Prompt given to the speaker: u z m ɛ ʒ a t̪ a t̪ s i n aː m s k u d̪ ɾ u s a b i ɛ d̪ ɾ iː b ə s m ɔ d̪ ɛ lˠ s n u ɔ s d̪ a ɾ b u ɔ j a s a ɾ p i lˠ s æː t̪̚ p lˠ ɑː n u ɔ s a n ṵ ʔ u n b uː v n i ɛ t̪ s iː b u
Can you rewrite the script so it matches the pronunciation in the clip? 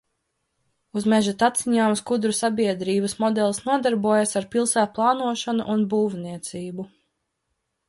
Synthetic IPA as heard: u z m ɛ ʒ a t̪ a t̪ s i ɲ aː m s k u d̪ ɾ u s a b i ɛ d̪ ɾ iː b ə s m ɔ d̪ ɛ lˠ s n u ɔ d̪ a ɾ b u ɔ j a s a ɾ p i lˠ s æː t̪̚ p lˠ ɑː n u ɔ ʃ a n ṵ ʔ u n b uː v n i ɛ t̪ s iː b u